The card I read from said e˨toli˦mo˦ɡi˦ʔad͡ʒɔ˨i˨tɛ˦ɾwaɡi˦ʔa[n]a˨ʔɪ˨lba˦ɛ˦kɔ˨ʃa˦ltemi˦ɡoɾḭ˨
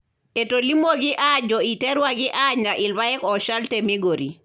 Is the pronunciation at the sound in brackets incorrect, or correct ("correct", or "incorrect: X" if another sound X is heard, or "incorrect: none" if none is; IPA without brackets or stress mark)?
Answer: incorrect: ɲ